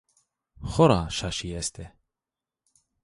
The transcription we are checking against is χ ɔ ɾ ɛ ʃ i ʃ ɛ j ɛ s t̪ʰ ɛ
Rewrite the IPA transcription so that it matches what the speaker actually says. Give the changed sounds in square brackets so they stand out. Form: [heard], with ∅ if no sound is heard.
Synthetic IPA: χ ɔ ɾ [a] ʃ [a] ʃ [i] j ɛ s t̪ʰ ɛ